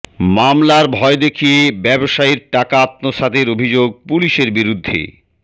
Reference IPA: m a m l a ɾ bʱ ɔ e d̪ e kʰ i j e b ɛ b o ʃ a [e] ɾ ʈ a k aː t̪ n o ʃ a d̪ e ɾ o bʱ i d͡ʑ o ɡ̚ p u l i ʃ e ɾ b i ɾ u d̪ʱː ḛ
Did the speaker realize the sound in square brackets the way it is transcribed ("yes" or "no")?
no